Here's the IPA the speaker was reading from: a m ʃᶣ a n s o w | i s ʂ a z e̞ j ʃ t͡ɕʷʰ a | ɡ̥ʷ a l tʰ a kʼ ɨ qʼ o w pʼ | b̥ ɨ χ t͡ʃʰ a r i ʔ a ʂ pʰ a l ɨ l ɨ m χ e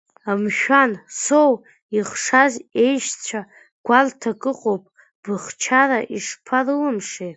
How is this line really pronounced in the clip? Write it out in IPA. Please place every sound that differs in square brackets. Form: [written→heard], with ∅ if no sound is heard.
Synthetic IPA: a m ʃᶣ a n s o w | i [s→χ] ʂ a z e̞ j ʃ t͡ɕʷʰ a | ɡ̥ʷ a l tʰ a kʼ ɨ qʼ o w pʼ | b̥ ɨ χ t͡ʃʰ a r [i→a] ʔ [a→i] ʂ pʰ a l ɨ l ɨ m [χ→ʂ] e